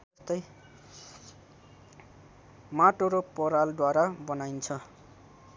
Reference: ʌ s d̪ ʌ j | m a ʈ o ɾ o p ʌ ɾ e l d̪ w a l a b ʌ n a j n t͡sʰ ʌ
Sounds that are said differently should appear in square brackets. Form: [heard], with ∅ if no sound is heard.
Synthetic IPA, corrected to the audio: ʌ s [t̪] ʌ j | m a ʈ o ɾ o p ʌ ɾ [a] l d̪ w a [ɾ] a b ʌ n a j n t͡sʰ ʌ